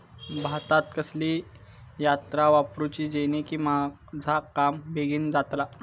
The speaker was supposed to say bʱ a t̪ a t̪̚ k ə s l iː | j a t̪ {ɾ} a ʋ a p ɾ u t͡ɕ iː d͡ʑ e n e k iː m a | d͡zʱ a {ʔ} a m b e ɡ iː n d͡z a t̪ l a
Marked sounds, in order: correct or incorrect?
correct, incorrect: k

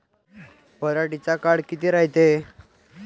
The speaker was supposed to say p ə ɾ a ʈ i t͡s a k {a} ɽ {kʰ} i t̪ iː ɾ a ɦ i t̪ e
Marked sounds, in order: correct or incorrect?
correct, incorrect: k

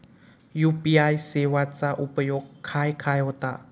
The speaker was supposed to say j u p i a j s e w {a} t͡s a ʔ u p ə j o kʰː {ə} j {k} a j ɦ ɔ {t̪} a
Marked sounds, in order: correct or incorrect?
correct, incorrect: a, incorrect: kʰ, correct

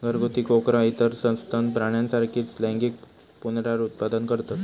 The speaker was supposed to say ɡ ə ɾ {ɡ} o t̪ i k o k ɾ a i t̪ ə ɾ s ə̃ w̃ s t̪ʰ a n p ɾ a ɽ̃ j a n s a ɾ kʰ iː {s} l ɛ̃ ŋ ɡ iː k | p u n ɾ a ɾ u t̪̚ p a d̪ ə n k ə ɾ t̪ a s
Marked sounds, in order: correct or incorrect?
correct, incorrect: t͡s

